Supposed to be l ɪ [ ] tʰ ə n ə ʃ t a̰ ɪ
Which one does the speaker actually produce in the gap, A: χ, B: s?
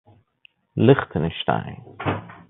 A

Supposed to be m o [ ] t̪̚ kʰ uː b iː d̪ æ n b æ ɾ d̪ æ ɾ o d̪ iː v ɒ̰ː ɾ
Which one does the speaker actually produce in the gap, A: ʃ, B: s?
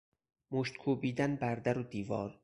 A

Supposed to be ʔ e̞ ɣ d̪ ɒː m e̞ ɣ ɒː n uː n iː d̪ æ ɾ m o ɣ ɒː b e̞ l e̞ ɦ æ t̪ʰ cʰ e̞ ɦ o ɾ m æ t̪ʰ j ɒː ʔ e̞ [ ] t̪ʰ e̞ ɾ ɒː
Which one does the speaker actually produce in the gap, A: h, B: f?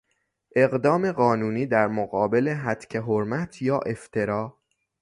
B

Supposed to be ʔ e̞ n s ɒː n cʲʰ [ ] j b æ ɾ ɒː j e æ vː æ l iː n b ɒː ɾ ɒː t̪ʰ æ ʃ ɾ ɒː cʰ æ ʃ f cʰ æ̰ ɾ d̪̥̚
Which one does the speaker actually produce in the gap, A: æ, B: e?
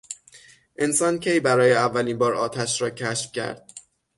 B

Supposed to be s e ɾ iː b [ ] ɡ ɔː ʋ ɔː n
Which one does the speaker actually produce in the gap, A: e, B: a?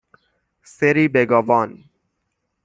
A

